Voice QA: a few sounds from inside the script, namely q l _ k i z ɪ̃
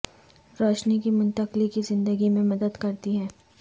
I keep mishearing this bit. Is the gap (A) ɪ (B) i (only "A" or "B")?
B